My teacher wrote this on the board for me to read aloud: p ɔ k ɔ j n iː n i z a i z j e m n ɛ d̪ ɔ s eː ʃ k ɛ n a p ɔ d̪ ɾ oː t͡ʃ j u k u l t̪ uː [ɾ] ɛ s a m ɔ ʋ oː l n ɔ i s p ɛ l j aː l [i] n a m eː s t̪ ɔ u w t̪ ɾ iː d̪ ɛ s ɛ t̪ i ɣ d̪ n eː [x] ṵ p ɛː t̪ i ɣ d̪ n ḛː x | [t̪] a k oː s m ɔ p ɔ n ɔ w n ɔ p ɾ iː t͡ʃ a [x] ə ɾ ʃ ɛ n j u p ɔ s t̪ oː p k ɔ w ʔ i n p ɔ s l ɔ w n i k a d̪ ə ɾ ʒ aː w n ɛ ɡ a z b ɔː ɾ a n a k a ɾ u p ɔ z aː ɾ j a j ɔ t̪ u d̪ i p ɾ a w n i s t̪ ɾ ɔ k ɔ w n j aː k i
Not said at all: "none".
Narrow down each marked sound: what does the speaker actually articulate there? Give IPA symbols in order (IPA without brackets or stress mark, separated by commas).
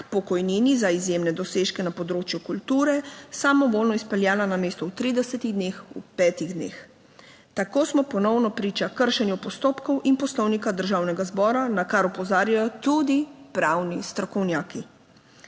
ɾ, a, x, t̪, k